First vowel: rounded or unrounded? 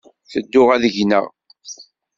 unrounded